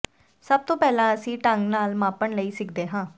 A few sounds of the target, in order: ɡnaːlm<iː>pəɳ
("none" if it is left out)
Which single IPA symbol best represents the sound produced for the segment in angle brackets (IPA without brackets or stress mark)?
aː